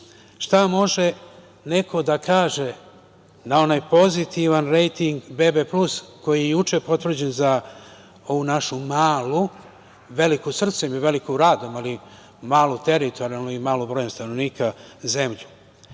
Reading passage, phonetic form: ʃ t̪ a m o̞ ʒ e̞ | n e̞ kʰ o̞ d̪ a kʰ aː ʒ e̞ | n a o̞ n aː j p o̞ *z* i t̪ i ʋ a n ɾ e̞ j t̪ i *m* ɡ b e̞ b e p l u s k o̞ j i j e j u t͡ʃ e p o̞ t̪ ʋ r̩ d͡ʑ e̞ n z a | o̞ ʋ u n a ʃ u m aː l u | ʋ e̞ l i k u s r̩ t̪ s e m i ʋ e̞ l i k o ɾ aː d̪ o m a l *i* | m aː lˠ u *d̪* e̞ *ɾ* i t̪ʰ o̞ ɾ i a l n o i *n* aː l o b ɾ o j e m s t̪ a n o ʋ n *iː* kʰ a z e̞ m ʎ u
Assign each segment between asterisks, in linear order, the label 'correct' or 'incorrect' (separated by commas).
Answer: correct, incorrect, correct, incorrect, correct, incorrect, correct